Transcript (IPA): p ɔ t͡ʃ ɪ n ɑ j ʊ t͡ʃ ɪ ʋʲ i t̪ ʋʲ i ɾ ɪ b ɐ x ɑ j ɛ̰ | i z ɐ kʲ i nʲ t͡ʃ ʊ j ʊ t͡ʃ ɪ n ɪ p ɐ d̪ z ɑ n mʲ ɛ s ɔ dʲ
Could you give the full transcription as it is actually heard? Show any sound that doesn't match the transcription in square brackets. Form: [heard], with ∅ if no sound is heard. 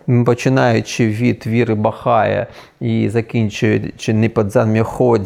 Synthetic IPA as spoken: p ɔ t͡ʃ ɪ n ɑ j ʊ t͡ʃ ɪ ʋʲ i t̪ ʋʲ i ɾ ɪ b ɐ x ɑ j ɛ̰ | i z ɐ kʲ i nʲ t͡ʃ ʊ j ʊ t͡ʃ ɪ n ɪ p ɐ d̪ z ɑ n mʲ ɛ [x] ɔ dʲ